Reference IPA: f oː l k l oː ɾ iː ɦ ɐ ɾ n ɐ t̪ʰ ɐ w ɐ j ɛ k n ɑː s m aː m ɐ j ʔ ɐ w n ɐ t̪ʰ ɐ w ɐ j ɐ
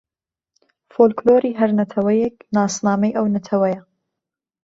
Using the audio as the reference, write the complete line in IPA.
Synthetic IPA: f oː l k l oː ɾ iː ɦ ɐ ɾ n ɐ t̪ʰ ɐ w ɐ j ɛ k n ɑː s n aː m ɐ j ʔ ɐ w n ɐ t̪ʰ ɐ w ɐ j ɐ